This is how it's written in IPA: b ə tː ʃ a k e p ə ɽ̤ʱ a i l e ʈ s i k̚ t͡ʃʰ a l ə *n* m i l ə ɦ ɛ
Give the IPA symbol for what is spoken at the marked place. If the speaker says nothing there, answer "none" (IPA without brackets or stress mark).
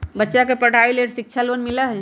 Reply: n